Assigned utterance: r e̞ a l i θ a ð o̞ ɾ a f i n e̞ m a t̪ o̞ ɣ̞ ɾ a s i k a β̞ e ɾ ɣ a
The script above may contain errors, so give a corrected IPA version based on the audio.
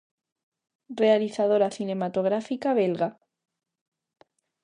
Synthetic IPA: r e̞ a l i θ a ð o̞ ɾ a θ i n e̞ m a t̪ o̞ ɣ̞ ɾ a f i k a β̞ e l ɣ a